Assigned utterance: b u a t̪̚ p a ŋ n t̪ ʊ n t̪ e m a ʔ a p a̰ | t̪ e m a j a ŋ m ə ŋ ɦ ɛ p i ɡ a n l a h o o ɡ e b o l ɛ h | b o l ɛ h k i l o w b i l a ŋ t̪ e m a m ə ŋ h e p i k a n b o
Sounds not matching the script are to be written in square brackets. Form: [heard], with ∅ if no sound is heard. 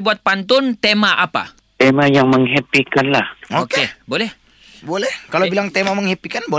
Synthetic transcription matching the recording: b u a t̪̚ p a [∅] n t̪ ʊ n t̪ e m a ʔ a p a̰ | t̪ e m a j a ŋ m ə ŋ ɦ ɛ p i [k] a n l a h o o [k] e b o l ɛ h | b o l ɛ h k [a] l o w b i l a ŋ t̪ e m a m ə ŋ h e p i k a n b o